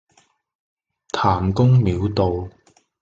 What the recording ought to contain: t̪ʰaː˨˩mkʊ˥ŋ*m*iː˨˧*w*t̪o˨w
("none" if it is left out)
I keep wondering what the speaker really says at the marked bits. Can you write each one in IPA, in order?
m, w

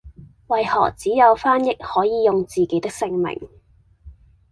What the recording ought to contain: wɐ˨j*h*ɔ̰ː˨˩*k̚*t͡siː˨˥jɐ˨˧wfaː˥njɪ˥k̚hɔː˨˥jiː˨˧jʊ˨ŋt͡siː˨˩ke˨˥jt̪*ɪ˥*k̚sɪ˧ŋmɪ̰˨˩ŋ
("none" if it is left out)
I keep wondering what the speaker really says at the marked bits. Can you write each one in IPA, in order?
h, k̚, ɪ˥

